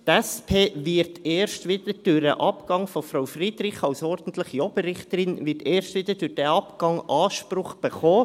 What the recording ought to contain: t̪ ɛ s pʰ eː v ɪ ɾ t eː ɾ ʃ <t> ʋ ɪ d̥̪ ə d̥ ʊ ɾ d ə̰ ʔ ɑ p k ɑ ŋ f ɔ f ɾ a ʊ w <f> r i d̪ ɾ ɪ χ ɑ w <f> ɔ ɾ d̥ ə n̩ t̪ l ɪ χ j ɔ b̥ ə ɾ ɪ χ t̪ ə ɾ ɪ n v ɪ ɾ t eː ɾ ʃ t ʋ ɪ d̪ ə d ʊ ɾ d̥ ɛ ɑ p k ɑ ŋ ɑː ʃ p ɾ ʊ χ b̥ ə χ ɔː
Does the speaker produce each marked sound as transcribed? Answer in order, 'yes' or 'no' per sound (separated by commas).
yes, yes, no